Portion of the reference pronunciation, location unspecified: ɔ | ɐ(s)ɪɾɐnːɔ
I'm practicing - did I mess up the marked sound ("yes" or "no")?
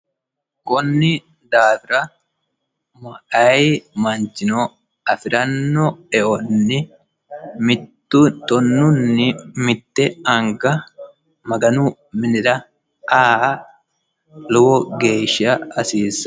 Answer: yes